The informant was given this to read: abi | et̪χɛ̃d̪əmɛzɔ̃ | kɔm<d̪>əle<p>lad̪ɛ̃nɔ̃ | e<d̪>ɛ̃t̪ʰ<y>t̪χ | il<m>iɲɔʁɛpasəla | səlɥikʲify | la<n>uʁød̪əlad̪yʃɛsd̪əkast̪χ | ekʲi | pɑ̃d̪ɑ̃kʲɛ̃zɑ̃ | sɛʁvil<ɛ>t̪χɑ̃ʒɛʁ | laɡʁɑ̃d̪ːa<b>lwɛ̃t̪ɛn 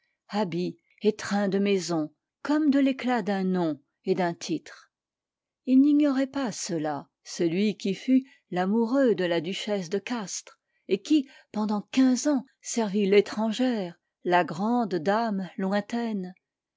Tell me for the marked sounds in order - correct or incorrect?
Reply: correct, incorrect, correct, incorrect, incorrect, incorrect, incorrect, incorrect

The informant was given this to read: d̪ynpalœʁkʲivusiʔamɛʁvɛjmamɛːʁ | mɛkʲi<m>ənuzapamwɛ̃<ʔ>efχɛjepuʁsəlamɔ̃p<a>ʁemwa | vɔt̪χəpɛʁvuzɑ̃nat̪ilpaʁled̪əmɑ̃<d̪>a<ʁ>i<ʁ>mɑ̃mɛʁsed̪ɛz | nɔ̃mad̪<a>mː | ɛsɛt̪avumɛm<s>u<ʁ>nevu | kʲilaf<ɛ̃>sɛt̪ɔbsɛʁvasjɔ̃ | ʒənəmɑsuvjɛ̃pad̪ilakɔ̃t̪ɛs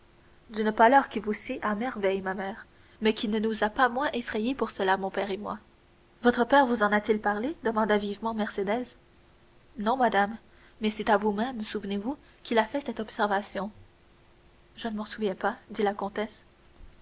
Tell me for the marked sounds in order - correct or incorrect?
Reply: incorrect, correct, incorrect, correct, incorrect, incorrect, correct, correct, incorrect, incorrect

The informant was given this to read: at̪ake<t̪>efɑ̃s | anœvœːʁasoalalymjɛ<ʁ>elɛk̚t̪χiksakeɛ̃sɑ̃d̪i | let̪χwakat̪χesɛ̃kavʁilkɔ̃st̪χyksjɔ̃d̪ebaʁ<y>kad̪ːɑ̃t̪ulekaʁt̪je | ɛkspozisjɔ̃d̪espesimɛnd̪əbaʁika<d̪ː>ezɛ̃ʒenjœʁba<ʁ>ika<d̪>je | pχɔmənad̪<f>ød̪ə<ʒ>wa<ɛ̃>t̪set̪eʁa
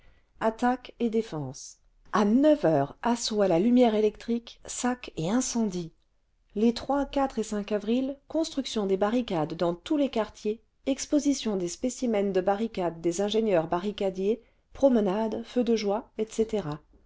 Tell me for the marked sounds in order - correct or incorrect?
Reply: incorrect, correct, incorrect, correct, correct, correct, correct, correct, incorrect

